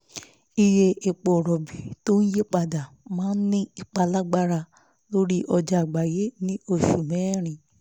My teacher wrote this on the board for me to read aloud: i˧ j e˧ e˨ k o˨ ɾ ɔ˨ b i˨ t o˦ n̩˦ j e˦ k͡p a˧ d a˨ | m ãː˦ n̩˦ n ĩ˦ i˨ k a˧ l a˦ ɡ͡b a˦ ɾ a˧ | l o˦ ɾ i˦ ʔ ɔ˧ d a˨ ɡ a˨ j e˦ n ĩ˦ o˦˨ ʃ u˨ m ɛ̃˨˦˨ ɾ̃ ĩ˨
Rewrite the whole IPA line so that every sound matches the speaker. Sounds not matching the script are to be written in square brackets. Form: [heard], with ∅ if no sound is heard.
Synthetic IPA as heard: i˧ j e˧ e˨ [k͡p] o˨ ɾ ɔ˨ b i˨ t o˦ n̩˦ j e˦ k͡p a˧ d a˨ | m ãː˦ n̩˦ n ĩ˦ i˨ [k͡p] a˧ l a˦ ɡ͡b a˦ ɾ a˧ | l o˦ ɾ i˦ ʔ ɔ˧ [d͡ʒ] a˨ [ɡ͡b] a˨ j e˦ n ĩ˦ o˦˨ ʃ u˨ m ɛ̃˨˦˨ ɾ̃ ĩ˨